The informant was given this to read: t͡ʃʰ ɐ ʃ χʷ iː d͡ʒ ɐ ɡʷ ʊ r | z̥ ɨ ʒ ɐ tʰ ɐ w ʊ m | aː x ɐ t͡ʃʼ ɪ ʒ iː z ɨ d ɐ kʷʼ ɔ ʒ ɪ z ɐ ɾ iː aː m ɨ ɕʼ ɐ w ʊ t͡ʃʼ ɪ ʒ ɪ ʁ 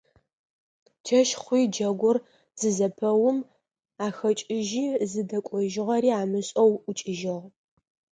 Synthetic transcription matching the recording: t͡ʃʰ ɐ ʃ χʷ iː d͡ʒ ɐ ɡʷ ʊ r | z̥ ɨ z ɐ pʰ ɐ w ʊ m | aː x ɐ t͡ʃʼ ɪ ʒ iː z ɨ d ɐ kʷʼ ɔ ʒ ɪ ʁ ɐ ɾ iː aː m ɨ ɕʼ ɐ w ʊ t͡ʃʼ ɪ ʒ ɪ ʁ